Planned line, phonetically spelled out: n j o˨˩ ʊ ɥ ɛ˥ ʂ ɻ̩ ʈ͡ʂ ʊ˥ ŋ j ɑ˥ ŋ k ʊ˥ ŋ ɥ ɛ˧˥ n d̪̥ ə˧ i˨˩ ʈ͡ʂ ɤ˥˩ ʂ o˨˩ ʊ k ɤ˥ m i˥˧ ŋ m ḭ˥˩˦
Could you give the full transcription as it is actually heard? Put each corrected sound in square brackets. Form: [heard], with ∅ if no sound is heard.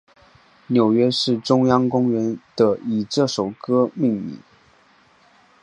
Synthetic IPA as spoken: n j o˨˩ ʊ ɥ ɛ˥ ʂ ɻ̩ ʈ͡ʂ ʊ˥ ŋ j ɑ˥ ŋ k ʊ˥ ŋ ɥ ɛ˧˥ n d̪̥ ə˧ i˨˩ ʈ͡ʂ ɤ˥˩ ʂ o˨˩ ʊ k ɤ˥ m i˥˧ ŋ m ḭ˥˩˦